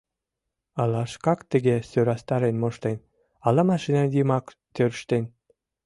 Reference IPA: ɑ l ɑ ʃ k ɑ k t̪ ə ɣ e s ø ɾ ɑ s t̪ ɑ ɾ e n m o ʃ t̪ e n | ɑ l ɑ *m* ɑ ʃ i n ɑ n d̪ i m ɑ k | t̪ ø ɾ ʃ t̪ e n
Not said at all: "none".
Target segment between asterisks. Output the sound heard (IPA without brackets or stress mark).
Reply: m